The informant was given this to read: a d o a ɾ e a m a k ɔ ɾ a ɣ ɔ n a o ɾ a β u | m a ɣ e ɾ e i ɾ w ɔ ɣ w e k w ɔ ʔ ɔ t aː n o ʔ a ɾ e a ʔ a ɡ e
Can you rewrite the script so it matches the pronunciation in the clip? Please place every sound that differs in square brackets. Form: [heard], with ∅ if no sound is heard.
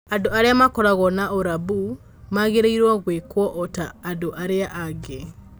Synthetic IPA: a d o a ɾ e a m a k ɔ ɾ a ɣ ɔ n a o ɾ a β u | m a ɣ e ɾ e i ɾ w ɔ ɣ w e k w ɔ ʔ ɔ t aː [d] o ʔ a ɾ e a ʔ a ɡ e